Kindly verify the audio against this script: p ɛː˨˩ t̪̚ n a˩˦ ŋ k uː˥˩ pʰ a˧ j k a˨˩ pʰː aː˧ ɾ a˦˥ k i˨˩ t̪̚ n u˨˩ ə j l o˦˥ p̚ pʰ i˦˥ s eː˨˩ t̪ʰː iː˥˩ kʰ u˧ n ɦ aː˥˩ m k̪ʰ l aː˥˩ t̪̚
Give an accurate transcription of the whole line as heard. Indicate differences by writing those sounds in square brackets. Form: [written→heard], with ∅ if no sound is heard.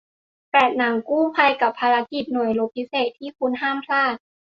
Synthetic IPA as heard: p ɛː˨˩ t̪̚ n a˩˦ ŋ k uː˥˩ pʰ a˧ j k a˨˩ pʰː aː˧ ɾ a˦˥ k i˨˩ t̪̚ n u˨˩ ə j l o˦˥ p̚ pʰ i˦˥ s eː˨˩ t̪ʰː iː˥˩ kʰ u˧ n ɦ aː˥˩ m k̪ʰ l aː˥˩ t̪̚